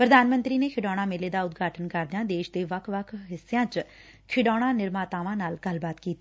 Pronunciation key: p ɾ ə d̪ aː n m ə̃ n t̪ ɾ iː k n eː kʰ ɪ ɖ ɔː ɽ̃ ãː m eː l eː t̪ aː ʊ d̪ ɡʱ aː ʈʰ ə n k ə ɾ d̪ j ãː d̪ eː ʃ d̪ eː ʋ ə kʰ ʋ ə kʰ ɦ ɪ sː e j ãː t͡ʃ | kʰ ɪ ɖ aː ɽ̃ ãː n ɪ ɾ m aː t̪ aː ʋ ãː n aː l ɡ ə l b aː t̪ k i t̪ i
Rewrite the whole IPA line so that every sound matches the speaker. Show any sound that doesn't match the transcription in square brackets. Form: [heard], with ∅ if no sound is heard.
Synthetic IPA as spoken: p ɾ ə d̪ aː n m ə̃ n t̪ ɾ iː [∅] n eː kʰ ɪ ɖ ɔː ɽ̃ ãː m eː l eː [d̪] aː ʊ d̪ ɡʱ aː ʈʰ ə n k ə ɾ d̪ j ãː d̪ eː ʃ d̪ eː ʋ ə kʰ ʋ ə kʰ ɦ ɪ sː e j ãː t͡ʃ | kʰ ɪ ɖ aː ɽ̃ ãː n ɪ ɾ m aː t̪ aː ʋ ãː n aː l ɡ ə l b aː t̪ k [iː] t̪ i